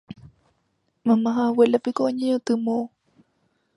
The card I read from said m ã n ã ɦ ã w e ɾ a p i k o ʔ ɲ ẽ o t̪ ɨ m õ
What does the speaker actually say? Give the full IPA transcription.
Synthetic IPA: m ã m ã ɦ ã w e l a p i k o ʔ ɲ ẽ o t̪ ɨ m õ